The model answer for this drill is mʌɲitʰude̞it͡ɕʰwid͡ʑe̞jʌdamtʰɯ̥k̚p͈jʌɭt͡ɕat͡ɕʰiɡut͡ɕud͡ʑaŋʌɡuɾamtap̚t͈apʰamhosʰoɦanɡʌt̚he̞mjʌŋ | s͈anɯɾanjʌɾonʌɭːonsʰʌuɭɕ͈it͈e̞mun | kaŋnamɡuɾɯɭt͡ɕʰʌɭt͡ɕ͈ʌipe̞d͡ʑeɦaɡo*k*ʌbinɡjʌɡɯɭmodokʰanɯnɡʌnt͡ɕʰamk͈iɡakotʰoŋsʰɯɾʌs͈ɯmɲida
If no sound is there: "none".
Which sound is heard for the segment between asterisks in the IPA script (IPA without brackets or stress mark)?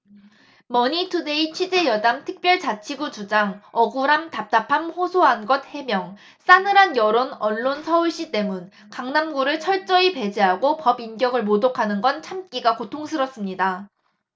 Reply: p